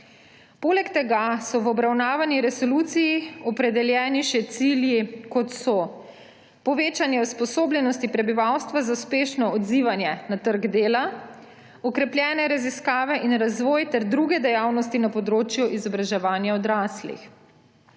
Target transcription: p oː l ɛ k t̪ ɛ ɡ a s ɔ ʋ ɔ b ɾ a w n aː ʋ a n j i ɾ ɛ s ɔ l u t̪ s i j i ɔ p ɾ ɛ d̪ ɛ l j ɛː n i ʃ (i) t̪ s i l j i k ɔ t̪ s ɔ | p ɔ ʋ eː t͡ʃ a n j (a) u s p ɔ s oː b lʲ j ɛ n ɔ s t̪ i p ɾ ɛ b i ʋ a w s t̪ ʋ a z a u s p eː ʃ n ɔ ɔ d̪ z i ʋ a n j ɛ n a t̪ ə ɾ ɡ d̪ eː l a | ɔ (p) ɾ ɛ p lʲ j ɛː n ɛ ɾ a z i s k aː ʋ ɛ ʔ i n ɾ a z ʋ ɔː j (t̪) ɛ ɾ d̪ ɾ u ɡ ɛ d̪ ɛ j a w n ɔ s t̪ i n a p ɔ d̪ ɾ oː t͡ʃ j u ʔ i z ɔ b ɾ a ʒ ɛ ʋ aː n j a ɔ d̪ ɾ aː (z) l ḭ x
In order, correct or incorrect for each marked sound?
incorrect: ɛ, incorrect: ɛ, incorrect: k, correct, incorrect: s

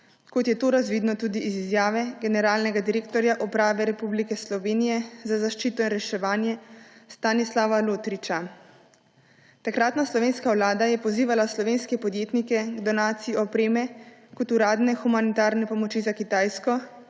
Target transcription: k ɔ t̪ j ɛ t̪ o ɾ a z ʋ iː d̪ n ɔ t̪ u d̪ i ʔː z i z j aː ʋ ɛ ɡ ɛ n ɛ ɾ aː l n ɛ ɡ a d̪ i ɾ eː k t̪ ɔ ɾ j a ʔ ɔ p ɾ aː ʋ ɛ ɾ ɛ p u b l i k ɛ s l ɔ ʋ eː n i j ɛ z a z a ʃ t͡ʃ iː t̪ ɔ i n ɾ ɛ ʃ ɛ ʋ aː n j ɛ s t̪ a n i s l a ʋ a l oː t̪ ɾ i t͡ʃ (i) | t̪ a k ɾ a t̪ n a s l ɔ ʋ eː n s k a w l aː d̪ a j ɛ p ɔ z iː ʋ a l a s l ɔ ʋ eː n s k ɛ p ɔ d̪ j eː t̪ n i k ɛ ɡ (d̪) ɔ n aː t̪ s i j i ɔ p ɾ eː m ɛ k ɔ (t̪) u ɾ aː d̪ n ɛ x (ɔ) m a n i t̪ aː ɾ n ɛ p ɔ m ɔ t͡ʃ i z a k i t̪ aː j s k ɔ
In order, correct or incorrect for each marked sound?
incorrect: a, correct, correct, incorrect: u

